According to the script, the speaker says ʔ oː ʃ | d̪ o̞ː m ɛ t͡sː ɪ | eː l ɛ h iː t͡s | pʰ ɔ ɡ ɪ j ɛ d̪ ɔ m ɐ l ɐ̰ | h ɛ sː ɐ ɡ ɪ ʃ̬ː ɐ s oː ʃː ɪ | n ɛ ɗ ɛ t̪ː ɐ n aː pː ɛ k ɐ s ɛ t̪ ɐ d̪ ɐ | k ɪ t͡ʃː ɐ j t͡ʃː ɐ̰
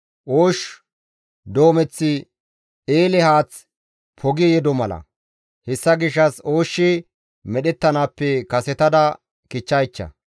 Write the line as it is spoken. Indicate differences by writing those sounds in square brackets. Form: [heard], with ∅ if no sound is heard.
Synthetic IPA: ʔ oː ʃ | d̪ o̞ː m ɛ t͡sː ɪ | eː l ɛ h [aː] t͡s | pʰ ɔ ɡ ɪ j ɛ d̪ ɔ m ɐ l ɐ̰ | h ɛ sː ɐ ɡ ɪ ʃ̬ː ɐ s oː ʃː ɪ | [m] ɛ ɗ ɛ t̪ː ɐ n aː pː ɛ k ɐ s ɛ t̪ ɐ d̪ ɐ | k ɪ t͡ʃː ɐ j t͡ʃː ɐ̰